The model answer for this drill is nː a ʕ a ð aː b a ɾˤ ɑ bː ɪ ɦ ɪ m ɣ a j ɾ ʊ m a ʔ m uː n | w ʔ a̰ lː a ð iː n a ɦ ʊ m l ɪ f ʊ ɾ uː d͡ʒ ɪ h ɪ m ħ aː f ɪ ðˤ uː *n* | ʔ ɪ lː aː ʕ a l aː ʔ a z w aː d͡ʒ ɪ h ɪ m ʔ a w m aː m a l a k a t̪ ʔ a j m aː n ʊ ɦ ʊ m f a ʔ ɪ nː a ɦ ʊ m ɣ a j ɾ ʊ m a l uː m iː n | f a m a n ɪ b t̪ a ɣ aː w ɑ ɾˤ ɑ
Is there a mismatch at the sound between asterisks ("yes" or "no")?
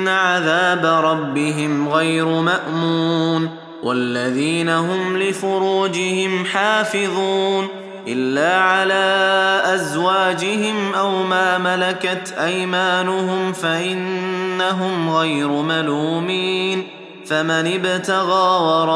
no